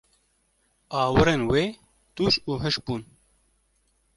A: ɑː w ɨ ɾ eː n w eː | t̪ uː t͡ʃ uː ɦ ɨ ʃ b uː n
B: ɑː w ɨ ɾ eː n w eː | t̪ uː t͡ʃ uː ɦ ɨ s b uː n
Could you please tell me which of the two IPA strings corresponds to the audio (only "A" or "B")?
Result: A